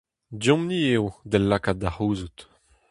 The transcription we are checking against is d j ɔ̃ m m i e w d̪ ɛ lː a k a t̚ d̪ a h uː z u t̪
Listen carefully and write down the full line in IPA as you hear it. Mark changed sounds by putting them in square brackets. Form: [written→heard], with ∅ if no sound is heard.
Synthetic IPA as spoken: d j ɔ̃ m [m→n] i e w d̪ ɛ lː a k a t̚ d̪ a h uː z u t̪